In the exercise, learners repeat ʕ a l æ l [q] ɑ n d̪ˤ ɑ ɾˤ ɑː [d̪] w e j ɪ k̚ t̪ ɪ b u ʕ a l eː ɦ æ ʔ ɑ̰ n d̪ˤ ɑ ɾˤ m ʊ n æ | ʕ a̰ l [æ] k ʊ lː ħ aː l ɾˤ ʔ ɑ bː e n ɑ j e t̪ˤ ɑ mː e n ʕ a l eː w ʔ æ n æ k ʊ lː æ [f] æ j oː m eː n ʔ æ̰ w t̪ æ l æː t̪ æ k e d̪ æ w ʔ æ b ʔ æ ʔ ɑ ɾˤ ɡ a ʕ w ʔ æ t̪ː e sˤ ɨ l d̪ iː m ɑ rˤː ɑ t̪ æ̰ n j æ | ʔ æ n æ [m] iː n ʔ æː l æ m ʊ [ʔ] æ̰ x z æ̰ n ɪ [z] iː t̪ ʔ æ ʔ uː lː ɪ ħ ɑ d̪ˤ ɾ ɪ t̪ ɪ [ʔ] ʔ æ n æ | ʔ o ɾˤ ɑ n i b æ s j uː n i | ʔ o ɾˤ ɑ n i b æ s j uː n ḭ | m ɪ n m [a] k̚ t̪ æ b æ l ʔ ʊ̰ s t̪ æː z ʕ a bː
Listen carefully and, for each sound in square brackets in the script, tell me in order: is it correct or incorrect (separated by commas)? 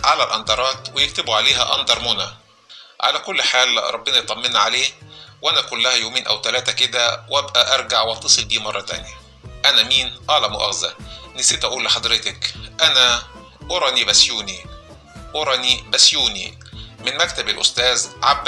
incorrect, incorrect, correct, incorrect, correct, correct, incorrect, incorrect, incorrect